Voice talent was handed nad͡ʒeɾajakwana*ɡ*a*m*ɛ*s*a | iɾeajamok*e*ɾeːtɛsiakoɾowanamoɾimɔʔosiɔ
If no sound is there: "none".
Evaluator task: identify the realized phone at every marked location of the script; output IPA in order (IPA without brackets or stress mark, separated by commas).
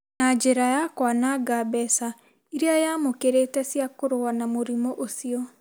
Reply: ɡ, b, s, e